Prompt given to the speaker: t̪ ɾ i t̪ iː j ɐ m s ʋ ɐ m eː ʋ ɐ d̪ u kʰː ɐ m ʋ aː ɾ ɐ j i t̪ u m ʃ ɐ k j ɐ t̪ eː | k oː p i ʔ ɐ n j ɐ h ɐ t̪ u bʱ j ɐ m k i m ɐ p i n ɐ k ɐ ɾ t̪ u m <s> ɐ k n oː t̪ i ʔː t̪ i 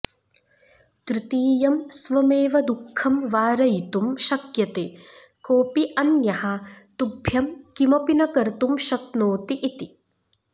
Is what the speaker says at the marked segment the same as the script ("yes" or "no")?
no